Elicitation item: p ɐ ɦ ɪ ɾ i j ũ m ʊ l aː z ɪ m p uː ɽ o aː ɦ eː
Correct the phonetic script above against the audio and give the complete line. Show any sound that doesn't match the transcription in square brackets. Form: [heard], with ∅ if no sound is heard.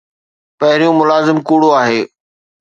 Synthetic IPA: p ɐ ɦ ɪ ɾ i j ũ m ʊ l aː z ɪ m [k] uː ɽ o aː ɦ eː